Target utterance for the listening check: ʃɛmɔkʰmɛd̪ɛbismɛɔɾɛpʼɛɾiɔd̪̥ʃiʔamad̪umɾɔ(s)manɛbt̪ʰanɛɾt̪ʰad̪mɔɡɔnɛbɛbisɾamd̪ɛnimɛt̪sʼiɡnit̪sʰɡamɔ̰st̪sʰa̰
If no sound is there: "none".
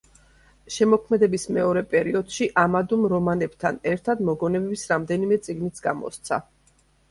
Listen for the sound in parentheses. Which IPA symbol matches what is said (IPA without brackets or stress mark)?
none